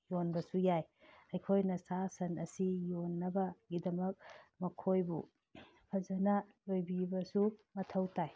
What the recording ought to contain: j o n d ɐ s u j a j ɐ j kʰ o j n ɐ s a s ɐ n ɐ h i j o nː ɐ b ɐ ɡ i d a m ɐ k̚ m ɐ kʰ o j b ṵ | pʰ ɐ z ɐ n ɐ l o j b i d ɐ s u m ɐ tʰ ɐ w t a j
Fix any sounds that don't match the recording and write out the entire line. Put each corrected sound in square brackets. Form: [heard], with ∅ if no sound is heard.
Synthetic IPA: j o n [b] ɐ s u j a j ɐ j kʰ o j n ɐ s a s ɐ n ɐ [s] i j o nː ɐ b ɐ ɡ i d [ɐ] m ɐ k̚ m ɐ kʰ o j b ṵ | pʰ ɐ z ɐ n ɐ l o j b i [b] ɐ s u m ɐ tʰ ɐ w t a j